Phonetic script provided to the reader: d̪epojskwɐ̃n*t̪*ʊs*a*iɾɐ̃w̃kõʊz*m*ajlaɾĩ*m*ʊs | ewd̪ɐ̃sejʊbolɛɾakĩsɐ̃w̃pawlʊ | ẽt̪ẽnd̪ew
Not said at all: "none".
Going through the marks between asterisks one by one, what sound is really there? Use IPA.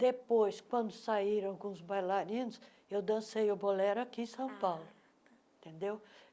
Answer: d̪, a, b, n

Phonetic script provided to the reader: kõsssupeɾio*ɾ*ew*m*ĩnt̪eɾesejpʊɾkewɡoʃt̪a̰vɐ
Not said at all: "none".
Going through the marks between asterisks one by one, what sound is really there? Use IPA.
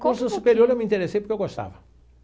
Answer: ɾ, m

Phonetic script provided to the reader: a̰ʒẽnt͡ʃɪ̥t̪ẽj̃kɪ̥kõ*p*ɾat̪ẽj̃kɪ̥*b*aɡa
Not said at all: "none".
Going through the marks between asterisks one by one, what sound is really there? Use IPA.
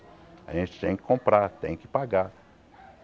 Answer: p, p

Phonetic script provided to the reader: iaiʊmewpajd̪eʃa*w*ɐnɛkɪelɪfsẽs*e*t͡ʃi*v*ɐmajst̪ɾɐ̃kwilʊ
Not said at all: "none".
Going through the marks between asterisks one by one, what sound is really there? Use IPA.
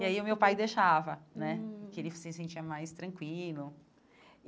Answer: v, ẽ, none

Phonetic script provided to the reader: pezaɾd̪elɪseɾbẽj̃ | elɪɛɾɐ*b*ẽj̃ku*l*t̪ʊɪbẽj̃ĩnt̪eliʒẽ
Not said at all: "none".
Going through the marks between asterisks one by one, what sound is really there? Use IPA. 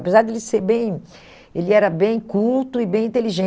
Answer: b, l

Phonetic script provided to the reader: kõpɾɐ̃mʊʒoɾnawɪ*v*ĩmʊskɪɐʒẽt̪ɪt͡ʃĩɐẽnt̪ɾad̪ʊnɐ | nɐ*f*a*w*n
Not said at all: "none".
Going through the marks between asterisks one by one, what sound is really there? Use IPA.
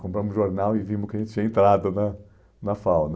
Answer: v, f, w

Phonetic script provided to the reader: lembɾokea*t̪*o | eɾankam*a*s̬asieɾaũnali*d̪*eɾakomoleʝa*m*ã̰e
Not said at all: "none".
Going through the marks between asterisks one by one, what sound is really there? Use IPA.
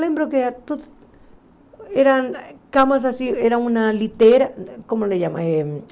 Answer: t̪, a, t̪, m

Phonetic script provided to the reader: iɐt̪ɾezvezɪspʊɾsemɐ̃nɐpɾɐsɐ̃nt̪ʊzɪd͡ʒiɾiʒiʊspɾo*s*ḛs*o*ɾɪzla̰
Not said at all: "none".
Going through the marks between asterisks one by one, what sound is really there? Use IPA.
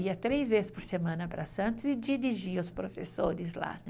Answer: f, o

